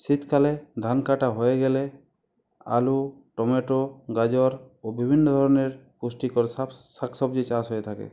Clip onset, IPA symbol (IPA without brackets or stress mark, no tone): s